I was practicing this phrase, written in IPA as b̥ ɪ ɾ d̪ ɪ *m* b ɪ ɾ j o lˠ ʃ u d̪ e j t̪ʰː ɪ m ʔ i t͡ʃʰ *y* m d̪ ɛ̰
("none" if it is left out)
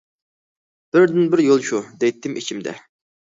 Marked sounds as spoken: n, i

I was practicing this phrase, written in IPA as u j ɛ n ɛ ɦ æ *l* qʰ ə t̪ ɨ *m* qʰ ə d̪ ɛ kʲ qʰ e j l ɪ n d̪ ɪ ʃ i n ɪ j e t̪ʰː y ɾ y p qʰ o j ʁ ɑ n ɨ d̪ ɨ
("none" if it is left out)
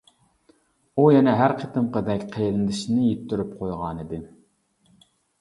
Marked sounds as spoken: ɾ, m

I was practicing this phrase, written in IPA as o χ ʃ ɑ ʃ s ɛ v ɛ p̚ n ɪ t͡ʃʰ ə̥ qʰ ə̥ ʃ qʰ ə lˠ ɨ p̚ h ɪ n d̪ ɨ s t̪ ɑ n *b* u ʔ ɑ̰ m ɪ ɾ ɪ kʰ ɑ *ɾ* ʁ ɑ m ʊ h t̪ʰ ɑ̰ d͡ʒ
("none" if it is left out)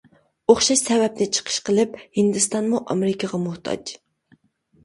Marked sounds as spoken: m, none

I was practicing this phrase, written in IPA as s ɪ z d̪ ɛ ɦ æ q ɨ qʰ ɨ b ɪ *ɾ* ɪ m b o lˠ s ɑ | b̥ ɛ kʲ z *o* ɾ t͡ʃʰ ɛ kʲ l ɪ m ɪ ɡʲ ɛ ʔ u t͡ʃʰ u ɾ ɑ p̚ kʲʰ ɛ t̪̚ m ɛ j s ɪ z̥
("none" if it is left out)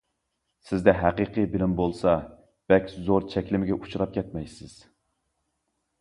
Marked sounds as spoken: l, o

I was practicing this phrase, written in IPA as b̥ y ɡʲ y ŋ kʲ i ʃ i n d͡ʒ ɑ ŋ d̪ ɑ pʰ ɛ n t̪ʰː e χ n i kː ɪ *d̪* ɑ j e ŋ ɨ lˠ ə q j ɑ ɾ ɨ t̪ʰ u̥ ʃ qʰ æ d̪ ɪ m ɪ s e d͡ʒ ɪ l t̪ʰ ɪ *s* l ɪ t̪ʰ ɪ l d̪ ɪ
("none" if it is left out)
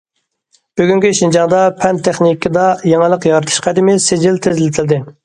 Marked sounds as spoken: d̪, z

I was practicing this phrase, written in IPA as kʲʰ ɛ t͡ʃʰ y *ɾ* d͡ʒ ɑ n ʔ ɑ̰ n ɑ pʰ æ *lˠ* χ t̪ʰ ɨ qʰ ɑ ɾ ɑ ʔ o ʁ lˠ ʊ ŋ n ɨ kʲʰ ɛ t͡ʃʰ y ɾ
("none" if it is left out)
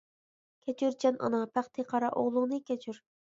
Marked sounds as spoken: ɾ, none

